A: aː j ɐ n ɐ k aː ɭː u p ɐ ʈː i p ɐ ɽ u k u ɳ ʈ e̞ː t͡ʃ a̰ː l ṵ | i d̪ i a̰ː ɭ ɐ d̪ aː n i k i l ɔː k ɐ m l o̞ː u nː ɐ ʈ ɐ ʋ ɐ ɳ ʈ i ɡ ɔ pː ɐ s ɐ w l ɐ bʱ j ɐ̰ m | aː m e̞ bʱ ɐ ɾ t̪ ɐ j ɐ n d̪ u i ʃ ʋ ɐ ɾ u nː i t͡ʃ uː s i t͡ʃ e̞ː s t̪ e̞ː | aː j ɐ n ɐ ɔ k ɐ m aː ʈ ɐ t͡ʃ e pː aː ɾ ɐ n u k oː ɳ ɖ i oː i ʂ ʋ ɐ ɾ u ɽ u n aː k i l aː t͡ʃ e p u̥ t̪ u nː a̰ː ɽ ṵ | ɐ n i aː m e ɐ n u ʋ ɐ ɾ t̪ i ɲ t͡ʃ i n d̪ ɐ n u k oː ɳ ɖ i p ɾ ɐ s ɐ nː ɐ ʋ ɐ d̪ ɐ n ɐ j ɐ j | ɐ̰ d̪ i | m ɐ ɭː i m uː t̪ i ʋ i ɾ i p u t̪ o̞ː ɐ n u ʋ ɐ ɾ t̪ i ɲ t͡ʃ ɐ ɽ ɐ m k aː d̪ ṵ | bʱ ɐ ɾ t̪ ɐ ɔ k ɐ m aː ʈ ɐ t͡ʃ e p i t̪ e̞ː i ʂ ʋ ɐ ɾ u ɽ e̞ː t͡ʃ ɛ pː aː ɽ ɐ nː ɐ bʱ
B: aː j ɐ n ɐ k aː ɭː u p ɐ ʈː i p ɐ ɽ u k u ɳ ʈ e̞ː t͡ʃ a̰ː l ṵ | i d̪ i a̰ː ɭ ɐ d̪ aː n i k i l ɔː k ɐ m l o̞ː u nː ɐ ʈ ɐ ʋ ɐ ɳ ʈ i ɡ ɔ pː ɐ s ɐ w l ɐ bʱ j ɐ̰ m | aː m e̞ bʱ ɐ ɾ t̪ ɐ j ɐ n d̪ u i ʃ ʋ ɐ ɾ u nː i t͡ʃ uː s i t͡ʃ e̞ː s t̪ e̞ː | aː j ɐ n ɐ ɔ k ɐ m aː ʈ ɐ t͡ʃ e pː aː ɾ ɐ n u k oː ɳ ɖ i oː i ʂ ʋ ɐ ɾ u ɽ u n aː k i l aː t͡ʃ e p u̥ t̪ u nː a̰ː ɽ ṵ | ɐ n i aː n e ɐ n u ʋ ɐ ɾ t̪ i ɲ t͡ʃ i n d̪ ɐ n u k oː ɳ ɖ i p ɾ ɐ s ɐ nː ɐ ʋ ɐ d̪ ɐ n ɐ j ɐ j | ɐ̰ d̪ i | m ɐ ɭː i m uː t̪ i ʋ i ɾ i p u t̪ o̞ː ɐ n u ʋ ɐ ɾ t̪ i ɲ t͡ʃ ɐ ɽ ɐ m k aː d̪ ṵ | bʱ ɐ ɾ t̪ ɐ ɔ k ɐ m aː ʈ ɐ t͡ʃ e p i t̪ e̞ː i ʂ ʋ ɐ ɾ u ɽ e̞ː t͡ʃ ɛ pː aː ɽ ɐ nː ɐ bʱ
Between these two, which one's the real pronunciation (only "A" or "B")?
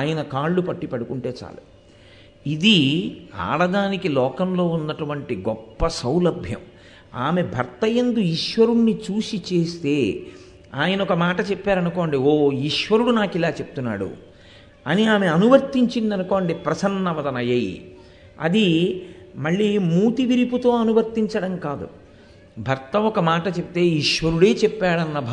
A